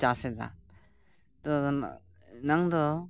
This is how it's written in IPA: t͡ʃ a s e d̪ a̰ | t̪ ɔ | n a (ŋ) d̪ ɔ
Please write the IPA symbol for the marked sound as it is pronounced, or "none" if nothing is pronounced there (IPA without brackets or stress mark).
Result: ŋ